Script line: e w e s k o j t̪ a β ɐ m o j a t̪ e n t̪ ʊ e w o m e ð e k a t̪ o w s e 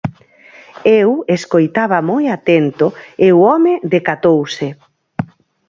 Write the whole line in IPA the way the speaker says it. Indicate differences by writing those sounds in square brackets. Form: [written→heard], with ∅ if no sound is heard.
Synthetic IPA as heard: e w e s k o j t̪ a β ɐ m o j a t̪ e n t̪ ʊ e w [o→ɔ] m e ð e k a t̪ o w s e

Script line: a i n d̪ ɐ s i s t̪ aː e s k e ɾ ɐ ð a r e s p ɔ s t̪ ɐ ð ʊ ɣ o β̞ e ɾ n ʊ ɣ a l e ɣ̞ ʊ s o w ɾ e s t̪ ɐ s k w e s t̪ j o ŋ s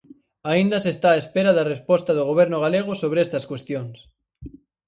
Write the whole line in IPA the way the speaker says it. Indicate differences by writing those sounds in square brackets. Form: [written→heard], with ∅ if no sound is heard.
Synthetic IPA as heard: a i n d̪ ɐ s [i→e] s t̪ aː e s [k→p] e ɾ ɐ ð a r e s p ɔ s t̪ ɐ ð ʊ ɣ o β̞ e ɾ n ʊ ɣ a l e ɣ̞ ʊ s o [w→β] ɾ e s t̪ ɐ s k w e s t̪ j o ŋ s

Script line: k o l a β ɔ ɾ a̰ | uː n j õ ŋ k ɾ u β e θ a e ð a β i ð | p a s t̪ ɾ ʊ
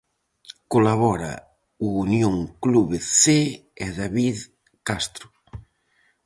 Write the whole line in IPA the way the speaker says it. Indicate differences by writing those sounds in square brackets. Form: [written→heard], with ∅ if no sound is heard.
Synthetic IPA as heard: k o l a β ɔ ɾ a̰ | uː n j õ ŋ k [ɾ→l] u β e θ [a→e] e ð a β i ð | [p→k] a s t̪ ɾ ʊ

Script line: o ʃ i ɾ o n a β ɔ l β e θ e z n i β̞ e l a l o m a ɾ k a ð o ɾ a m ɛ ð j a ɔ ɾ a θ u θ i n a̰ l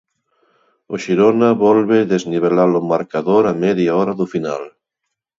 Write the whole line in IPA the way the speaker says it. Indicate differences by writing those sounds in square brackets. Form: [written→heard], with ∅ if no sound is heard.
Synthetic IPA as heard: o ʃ i ɾ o n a β ɔ l β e [θ→ð] e z n i β̞ e l a l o m a ɾ k a ð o ɾ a m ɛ ð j a ɔ ɾ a [θ→ð] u [θ→f] i n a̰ l

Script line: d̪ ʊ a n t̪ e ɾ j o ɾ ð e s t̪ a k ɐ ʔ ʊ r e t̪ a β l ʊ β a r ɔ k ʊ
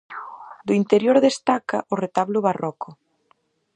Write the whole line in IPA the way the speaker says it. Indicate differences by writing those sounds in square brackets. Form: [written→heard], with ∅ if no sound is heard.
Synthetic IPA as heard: d̪ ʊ [a→i] n t̪ e ɾ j o ɾ ð e s t̪ a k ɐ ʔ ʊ r e t̪ a β l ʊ β a r ɔ k ʊ

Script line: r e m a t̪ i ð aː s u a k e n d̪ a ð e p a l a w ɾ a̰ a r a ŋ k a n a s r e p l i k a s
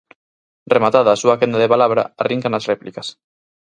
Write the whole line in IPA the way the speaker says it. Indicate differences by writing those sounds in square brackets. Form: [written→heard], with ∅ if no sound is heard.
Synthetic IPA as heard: r e m a t̪ [i→a] ð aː s u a k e n d̪ a ð e p a l a [w→β] ɾ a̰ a r [a→i] ŋ k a n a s r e p l i k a s

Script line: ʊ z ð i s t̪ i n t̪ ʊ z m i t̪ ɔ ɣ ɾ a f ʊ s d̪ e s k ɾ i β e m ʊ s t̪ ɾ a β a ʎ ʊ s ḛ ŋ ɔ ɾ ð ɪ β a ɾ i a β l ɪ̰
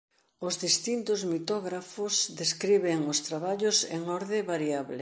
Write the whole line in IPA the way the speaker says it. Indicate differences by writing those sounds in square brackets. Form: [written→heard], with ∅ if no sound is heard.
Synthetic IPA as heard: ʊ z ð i s t̪ i n t̪ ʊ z m i t̪ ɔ ɣ ɾ a f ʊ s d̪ e s k ɾ i β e [m→ŋ] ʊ s t̪ ɾ a β a ʎ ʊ s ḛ ŋ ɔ ɾ ð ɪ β a ɾ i a β l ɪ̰

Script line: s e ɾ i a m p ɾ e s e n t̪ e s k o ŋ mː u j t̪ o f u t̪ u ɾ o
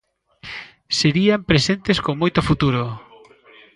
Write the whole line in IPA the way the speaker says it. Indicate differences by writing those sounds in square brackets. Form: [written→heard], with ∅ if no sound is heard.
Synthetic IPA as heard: s e ɾ i a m p ɾ e s e n t̪ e s k o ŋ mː [u→o] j t̪ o f u t̪ u ɾ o

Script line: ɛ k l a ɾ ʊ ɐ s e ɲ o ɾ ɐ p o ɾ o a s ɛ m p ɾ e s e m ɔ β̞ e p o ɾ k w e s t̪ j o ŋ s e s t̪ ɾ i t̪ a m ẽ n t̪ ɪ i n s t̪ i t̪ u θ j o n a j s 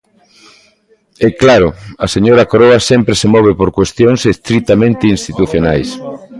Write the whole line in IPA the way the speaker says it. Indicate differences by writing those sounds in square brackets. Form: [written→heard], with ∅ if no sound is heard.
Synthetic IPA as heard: ɛ k l a ɾ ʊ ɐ s e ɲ o ɾ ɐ [p→k] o ɾ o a s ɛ m p ɾ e s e m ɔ β̞ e p o ɾ k w e s t̪ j o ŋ s e s t̪ ɾ i t̪ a m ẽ n t̪ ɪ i n s t̪ i t̪ u θ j o n a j s

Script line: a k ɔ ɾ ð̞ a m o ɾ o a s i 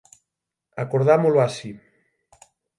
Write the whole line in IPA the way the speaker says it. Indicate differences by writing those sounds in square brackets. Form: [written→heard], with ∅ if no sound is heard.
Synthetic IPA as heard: a k [ɔ→o] ɾ ð̞ a m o [ɾ→l] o a s i

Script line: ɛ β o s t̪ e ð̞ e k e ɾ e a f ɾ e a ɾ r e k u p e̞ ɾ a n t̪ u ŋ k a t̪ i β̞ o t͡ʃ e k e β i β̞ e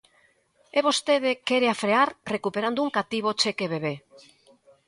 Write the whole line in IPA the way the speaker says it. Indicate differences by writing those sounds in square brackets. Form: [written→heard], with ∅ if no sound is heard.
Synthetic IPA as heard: [ɛ→e] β o s t̪ e ð̞ e k e ɾ e a f ɾ e a ɾ r e k u p e̞ ɾ a n [t̪→d̪] u ŋ k a t̪ i β̞ o t͡ʃ e k e β [i→e] β̞ e

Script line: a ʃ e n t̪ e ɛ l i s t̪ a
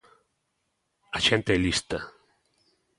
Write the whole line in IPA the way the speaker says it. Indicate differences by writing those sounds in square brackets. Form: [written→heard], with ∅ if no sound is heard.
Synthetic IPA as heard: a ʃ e n t̪ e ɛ l i s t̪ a

